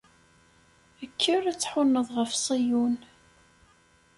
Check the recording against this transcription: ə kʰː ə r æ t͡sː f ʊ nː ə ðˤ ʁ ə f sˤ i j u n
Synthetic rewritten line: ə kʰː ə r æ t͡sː ħ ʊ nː ə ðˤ ʁ ə f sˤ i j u n